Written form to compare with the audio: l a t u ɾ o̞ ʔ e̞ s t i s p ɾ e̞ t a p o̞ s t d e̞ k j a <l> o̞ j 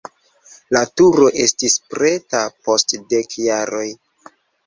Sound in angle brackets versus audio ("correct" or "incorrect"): incorrect